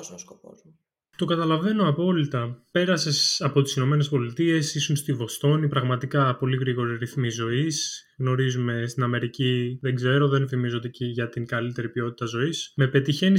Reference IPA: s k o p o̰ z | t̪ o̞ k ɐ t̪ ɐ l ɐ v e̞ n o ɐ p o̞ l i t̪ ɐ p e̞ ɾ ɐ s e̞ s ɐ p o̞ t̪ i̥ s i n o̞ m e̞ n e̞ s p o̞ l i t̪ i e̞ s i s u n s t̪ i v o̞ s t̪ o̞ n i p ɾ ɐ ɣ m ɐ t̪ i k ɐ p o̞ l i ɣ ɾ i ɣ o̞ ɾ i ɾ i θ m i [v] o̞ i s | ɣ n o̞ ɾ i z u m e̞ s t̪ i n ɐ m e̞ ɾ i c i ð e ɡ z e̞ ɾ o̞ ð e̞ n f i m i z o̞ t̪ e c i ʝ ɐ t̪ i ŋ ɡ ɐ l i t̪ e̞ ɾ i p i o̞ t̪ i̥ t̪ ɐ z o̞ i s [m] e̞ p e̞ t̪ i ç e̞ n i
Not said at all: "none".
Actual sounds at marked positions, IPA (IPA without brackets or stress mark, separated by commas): z, m